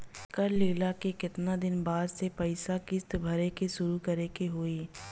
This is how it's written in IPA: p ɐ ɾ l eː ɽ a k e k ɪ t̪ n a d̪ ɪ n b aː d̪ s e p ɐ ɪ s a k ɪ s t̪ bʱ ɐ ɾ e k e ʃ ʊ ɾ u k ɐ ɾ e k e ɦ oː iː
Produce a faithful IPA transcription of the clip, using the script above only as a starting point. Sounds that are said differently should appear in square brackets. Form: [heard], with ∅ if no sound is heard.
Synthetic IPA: [k] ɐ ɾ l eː [l] a k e k ɪ t̪ n a d̪ ɪ n b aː d̪ s e p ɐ ɪ s a k ɪ s t̪ bʱ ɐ ɾ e k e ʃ ʊ ɾ u k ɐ ɾ e k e ɦ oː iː